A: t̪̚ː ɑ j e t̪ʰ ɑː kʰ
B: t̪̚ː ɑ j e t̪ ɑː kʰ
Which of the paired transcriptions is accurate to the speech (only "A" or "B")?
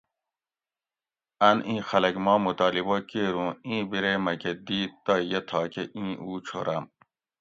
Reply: A